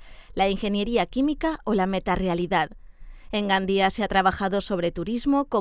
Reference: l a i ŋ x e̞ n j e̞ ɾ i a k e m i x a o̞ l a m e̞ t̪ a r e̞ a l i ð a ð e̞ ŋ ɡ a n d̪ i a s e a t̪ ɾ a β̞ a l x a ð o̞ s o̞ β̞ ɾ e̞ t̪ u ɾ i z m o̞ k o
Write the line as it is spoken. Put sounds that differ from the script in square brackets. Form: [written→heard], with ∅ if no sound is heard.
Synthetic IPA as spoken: l a i ŋ x e̞ n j e̞ ɾ i a k [e→i] m i [x→k] a o̞ l a m e̞ t̪ a r e̞ a l i ð a ð e̞ ŋ ɡ a n d̪ i a s e a t̪ ɾ a β̞ a [l→∅] x a ð o̞ s o̞ β̞ ɾ e̞ t̪ u ɾ i z m o̞ k o

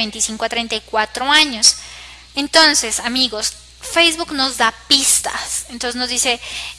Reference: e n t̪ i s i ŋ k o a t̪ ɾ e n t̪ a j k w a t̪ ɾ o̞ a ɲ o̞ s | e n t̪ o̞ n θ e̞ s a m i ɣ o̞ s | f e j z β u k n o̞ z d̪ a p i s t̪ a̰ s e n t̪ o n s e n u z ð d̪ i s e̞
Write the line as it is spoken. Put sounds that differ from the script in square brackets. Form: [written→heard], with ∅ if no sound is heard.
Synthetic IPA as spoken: e n t̪ i s i ŋ k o a t̪ ɾ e n t̪ a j k w a t̪ ɾ o̞ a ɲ o̞ s | e n t̪ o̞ n [θ→s] e̞ s a m i ɣ o̞ s | f e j z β u k n o̞ z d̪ a p i s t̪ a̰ s e n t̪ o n s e n [u→o] z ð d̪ i s e̞

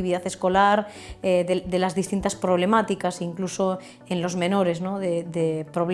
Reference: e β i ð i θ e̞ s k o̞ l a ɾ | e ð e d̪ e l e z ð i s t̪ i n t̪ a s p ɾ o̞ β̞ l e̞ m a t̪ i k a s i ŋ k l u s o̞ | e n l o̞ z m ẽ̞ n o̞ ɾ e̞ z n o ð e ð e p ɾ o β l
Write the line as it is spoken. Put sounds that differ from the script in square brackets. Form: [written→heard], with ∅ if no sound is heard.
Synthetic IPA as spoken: [e→i] β i ð [i→a] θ e̞ s k o̞ l a ɾ | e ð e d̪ e l [e→a] z ð i s t̪ i n t̪ a s p ɾ o̞ β̞ l e̞ m a t̪ i k a s i ŋ k l u s o̞ | e n l o̞ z m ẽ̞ n o̞ ɾ e̞ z n o ð e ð e p ɾ o β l

